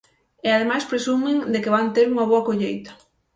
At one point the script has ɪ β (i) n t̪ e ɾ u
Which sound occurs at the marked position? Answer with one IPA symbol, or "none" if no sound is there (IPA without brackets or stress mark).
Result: a